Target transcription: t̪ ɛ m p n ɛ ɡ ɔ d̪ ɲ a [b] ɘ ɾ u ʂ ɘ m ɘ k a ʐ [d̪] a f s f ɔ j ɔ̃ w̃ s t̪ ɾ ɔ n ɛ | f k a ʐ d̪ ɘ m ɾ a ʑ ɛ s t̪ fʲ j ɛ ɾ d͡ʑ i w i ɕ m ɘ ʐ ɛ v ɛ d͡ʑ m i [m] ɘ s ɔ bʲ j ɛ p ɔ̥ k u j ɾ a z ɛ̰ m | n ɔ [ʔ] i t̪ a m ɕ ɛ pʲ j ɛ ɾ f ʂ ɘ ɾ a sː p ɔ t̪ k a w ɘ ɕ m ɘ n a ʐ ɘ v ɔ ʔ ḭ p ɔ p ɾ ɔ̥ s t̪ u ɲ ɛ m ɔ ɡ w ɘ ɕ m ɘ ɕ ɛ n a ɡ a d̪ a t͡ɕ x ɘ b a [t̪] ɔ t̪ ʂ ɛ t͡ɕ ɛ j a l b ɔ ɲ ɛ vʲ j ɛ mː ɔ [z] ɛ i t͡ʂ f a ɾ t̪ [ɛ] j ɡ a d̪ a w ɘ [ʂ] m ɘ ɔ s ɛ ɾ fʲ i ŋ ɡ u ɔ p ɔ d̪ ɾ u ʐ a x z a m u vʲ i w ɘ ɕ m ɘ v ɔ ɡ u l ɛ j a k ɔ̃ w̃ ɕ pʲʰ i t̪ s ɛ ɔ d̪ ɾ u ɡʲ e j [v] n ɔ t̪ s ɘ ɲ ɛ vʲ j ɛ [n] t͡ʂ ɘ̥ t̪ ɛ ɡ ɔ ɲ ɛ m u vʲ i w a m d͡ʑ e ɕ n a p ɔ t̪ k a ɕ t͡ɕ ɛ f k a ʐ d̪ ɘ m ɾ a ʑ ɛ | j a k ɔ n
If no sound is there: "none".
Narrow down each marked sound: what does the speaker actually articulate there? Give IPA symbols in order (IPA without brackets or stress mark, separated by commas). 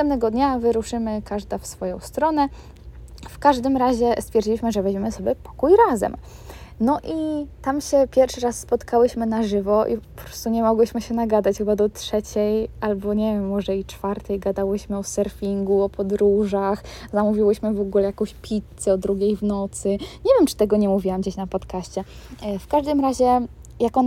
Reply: v, d̪, m, ʔ, d̪, ʐ, ɛ, ɕ, v, m